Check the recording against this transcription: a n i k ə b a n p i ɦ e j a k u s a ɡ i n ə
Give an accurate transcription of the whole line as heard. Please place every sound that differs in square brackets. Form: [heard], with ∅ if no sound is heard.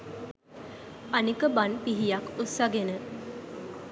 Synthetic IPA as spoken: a n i k ə b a n p i ɦ [i] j a k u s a ɡ [e] n ə